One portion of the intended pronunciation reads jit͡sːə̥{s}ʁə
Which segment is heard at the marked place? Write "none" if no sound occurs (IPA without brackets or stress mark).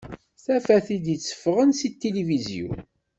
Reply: f